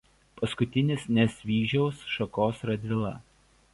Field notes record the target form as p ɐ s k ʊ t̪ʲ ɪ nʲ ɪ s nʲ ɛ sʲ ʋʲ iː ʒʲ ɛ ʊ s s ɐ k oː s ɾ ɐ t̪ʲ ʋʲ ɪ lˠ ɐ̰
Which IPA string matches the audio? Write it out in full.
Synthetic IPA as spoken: p ɐ s k ʊ t̪ʲ ɪ nʲ ɪ s nʲ ɛ sʲ ʋʲ iː ʒʲ ɛ ʊ s ʃ ɐ k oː s ɾ ɐ d̪ʲ ʋʲ ɪ lˠ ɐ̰